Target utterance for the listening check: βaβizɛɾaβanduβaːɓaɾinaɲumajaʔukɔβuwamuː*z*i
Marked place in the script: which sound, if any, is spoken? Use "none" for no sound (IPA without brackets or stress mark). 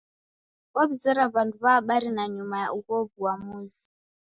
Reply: z